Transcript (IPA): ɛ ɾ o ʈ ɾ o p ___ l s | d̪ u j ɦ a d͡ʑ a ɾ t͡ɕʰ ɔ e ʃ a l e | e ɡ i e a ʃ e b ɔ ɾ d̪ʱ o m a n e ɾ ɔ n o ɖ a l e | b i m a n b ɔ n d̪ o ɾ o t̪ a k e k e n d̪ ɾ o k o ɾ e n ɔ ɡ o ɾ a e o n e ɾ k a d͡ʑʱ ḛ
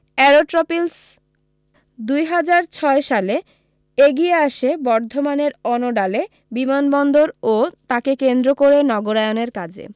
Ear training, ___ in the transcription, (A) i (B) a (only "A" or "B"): A